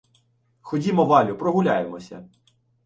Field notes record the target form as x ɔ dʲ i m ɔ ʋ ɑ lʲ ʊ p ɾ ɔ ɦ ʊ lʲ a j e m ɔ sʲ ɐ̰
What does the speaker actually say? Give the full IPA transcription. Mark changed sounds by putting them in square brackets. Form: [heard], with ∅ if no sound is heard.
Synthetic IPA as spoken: x ɔ dʲ i m ɔ ʋ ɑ lʲ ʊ p ɾ ɔ ɦ ʊ lʲ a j e m ɔ sʲ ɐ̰